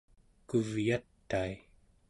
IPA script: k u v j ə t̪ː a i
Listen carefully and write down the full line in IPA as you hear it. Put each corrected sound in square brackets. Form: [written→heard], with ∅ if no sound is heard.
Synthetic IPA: k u v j [ə→a] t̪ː a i